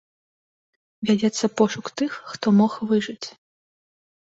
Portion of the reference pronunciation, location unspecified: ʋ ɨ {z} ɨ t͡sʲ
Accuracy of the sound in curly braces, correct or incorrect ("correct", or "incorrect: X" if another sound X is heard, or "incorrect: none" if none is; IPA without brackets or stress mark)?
incorrect: ʐ